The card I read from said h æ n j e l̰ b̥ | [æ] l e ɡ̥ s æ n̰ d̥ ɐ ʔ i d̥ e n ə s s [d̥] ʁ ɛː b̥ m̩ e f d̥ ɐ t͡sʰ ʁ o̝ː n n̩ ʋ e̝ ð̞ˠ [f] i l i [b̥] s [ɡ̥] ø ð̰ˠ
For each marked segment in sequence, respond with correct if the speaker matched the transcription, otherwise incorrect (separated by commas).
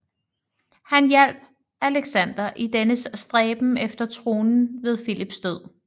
correct, correct, correct, correct, incorrect